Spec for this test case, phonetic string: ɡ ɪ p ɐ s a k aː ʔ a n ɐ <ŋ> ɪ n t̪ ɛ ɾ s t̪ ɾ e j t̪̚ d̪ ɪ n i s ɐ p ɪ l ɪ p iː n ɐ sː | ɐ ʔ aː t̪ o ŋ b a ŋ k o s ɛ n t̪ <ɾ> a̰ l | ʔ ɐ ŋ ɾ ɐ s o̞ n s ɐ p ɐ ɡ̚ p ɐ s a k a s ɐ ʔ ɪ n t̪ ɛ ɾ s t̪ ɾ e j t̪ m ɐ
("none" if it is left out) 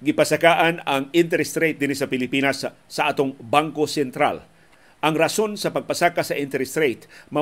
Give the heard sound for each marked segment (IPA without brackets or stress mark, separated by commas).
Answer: ŋ, ɾ